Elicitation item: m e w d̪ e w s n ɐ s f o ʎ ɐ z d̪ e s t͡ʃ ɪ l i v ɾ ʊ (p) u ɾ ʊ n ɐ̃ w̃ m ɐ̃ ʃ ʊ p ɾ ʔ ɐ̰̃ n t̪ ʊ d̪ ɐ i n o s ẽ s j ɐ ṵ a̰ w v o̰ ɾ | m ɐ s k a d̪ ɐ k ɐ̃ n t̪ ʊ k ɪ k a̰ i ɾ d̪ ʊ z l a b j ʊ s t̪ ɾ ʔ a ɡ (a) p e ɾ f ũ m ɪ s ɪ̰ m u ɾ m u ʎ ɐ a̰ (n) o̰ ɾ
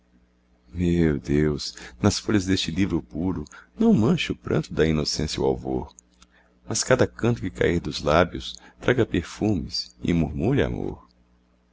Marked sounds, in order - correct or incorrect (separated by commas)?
correct, incorrect, incorrect